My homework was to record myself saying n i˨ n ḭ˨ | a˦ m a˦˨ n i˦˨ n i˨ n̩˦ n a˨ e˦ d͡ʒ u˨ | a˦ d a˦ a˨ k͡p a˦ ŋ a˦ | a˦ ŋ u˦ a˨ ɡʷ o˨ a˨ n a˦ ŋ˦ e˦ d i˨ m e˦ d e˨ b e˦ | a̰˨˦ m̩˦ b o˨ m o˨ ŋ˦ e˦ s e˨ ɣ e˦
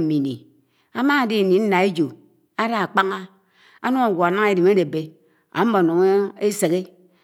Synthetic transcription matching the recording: m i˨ n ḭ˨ | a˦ m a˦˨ d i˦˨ n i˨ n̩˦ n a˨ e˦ d͡ʒ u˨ | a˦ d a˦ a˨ k͡p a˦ ŋ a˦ | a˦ n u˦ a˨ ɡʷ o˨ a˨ n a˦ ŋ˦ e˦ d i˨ m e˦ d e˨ b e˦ | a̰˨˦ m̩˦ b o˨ n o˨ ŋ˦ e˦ s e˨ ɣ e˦